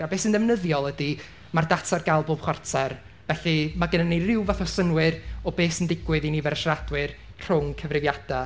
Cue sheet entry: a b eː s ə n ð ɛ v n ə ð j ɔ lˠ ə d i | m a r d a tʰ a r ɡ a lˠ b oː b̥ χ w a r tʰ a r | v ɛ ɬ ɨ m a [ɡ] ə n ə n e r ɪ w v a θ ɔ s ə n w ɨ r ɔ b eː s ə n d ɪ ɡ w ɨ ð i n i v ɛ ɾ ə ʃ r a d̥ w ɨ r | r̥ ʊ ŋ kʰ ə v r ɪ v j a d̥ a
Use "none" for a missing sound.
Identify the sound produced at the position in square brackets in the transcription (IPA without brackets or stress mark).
ɡ